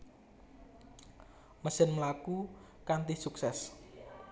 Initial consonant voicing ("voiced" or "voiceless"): voiced